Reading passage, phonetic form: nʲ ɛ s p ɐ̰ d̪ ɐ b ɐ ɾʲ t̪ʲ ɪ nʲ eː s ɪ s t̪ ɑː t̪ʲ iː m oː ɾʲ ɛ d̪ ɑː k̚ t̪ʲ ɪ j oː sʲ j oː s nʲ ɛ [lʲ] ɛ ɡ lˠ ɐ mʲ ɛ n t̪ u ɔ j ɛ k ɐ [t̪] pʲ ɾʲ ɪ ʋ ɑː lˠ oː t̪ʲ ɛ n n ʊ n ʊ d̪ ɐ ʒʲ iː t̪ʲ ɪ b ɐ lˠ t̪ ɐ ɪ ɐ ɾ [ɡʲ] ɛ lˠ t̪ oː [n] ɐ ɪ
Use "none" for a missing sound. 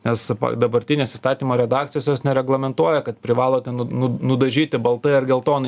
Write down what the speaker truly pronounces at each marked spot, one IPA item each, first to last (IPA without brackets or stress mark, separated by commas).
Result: ɾʲ, t̪, ɡʲ, n